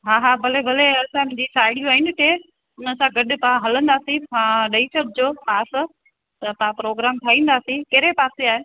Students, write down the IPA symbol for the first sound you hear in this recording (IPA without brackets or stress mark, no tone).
ɦ